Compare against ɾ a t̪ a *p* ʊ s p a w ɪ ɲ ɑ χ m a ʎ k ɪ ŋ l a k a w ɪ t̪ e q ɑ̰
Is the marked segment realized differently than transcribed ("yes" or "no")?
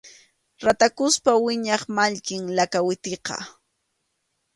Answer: yes